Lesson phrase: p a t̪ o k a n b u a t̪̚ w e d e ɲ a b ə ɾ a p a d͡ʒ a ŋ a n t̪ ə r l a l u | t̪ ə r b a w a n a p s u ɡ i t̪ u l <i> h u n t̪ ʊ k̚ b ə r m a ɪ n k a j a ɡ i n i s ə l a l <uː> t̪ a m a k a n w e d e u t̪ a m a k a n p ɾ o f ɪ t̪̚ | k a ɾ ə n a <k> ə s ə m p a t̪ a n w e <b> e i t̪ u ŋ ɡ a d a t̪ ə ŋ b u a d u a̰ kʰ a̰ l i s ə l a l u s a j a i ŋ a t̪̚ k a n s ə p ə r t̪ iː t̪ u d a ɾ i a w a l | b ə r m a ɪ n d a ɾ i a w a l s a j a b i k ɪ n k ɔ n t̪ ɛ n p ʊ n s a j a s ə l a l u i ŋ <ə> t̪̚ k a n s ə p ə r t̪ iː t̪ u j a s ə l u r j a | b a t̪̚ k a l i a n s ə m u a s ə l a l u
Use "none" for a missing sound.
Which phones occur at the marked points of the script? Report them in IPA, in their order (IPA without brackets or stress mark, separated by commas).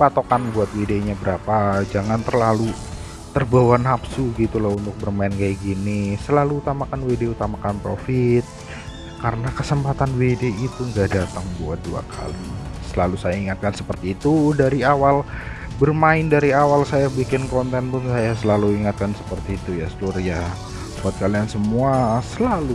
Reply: a, uː, k, d, a